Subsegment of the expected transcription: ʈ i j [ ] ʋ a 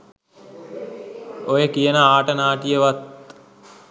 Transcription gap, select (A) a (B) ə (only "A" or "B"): B